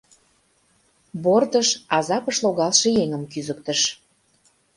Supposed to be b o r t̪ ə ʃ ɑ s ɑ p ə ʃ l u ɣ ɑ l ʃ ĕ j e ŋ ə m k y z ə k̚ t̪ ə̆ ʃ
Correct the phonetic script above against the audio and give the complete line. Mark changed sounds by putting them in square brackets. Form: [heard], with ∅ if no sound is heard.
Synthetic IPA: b o r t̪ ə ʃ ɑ [z] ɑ p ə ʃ l [o] ɣ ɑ l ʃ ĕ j e ŋ ə m k y z ə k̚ t̪ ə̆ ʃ